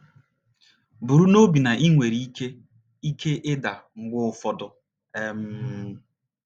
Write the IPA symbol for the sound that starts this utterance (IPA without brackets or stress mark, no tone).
b